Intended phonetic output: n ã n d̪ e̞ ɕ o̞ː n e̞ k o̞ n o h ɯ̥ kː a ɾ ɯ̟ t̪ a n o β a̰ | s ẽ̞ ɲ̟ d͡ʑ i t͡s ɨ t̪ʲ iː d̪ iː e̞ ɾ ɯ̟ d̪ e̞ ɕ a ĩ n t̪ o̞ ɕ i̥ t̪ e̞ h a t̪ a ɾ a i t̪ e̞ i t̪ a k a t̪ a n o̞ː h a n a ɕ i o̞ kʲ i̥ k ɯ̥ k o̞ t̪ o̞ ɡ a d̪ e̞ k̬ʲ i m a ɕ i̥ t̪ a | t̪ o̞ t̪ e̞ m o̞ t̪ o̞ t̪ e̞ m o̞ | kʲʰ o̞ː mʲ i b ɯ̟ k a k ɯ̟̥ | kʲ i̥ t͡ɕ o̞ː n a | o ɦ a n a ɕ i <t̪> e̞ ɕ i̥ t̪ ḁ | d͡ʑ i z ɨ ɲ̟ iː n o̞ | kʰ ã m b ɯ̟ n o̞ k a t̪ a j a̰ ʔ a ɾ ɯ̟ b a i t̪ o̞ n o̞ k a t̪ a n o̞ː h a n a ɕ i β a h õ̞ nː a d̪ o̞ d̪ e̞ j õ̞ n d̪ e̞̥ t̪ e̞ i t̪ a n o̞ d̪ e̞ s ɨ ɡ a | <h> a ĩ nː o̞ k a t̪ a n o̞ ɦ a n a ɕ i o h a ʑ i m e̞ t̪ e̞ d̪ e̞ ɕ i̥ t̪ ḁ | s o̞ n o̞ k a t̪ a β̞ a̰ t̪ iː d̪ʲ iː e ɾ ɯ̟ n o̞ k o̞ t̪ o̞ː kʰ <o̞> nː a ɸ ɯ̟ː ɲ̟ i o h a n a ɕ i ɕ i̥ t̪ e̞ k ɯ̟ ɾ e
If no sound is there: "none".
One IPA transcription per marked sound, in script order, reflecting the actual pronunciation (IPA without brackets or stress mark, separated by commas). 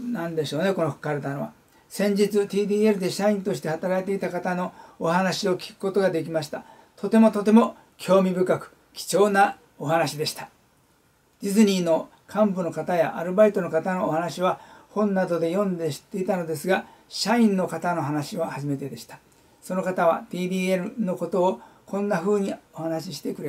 d̪, ɕ, õ̞